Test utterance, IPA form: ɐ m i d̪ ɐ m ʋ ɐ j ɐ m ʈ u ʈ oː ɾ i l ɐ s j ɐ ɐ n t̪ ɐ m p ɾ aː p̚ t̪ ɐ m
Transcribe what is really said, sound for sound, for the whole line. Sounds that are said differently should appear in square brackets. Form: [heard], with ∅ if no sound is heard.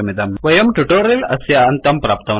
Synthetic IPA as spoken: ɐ m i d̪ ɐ m ʋ ɐ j ɐ m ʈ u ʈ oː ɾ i l ɐ s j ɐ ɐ n t̪ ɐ m p ɾ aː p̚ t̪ ɐ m